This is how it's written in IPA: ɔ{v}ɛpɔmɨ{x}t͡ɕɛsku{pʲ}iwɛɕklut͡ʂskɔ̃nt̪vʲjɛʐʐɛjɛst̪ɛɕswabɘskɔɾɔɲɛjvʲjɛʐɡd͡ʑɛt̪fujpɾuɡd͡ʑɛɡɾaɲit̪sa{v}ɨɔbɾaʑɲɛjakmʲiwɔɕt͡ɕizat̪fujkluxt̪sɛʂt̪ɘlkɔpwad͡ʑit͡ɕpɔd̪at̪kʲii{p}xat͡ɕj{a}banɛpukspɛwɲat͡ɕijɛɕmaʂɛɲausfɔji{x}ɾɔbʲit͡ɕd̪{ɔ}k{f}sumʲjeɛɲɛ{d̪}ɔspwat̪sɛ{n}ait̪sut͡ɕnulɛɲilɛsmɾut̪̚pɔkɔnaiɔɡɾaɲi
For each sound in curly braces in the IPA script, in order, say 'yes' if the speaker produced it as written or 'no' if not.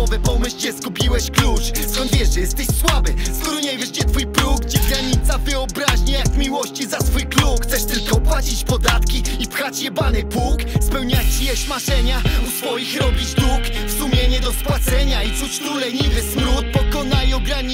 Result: yes, no, yes, yes, yes, no, yes, no, yes, yes, no

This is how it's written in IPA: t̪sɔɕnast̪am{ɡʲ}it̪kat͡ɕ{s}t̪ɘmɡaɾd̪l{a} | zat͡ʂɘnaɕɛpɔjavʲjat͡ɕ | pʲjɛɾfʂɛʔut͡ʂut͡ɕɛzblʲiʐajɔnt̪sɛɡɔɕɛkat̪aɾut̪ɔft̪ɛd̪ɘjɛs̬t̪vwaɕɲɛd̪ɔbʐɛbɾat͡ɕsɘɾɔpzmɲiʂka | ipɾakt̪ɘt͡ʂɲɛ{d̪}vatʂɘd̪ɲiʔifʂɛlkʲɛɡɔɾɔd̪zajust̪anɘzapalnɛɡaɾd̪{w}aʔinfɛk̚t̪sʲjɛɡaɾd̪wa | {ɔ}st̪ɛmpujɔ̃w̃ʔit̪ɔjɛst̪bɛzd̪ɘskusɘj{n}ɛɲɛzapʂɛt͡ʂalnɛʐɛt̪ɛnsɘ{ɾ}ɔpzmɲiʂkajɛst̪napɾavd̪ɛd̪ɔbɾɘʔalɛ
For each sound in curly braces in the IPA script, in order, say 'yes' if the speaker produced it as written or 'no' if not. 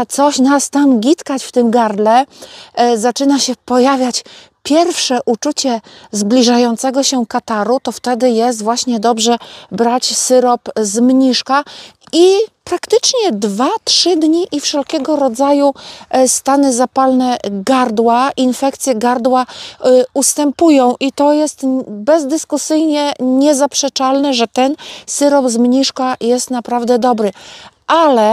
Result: yes, no, no, yes, yes, no, no, yes

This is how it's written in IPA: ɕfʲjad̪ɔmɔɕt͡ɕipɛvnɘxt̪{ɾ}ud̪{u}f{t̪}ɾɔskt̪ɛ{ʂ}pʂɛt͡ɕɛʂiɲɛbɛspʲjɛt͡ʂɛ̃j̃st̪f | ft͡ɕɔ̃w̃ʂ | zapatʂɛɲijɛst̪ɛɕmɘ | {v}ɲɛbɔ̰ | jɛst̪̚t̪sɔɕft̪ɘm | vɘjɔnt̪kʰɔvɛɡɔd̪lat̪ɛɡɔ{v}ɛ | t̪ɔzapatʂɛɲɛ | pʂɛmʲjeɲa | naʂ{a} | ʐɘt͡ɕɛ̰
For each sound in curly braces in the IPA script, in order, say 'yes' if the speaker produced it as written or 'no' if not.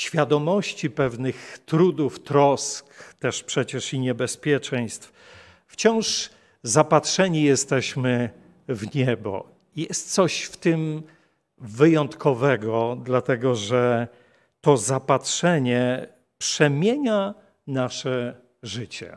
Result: yes, yes, yes, yes, yes, no, no

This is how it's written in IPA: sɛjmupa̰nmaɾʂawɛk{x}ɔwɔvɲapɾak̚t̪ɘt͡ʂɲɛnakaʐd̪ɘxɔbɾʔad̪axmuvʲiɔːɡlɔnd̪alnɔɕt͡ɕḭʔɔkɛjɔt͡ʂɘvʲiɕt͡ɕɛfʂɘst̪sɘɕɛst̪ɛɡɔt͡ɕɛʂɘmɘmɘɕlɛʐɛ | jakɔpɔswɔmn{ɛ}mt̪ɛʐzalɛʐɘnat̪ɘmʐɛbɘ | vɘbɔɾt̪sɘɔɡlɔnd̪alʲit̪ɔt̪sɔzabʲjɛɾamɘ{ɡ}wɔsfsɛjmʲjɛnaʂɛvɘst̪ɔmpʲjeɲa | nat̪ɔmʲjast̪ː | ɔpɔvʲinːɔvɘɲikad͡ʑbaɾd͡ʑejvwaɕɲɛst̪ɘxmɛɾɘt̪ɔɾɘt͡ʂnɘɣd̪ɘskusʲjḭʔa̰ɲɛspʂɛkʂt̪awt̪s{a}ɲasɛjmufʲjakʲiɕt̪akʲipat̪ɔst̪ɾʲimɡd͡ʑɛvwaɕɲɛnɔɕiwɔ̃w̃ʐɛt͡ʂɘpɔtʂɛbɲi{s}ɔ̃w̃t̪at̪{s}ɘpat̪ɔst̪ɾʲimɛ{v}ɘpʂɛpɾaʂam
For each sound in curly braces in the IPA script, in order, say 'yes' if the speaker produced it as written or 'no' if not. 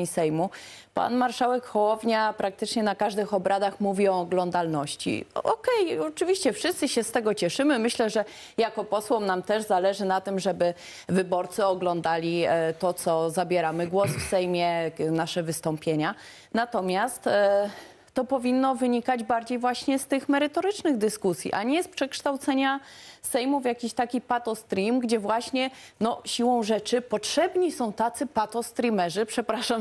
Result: yes, no, yes, no, yes, yes, no

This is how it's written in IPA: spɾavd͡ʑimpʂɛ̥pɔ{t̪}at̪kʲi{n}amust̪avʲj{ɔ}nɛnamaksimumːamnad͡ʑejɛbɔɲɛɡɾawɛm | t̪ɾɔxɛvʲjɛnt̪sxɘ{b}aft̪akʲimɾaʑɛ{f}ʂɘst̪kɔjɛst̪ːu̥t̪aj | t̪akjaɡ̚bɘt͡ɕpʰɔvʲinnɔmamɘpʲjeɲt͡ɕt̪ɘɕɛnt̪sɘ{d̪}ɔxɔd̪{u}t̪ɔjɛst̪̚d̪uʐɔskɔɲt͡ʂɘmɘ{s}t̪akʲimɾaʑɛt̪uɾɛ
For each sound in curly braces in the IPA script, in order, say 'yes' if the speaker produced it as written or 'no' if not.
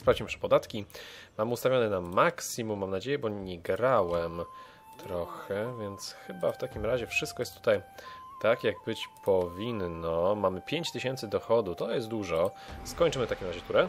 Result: no, no, yes, yes, yes, yes, yes, no

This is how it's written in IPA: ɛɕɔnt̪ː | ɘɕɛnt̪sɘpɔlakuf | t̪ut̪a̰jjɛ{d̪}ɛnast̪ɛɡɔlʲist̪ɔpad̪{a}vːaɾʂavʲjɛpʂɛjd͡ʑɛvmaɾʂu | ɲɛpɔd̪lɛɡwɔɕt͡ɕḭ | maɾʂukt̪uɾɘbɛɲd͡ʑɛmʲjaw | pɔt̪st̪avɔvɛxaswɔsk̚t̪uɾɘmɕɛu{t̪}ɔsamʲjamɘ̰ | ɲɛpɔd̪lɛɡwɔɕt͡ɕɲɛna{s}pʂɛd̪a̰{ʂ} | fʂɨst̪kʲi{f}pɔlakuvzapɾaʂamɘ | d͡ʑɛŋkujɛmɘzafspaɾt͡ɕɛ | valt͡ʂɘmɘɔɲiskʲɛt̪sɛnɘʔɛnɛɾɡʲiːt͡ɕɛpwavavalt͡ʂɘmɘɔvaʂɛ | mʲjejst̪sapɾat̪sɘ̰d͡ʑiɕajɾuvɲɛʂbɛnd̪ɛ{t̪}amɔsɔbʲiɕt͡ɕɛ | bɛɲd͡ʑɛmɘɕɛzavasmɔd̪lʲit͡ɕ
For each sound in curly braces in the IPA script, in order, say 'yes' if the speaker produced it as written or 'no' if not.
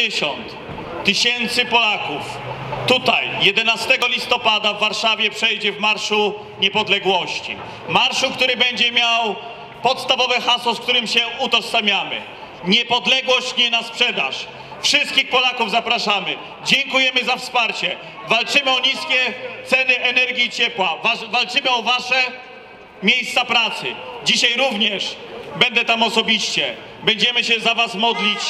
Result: yes, yes, yes, yes, yes, no, yes

